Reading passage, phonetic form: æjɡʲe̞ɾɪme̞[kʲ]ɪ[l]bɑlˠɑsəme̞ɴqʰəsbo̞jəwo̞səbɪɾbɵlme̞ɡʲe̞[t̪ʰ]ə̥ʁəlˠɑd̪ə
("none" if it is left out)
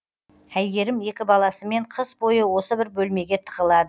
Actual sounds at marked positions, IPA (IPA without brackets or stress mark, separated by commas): kʲ, none, t̪ʰ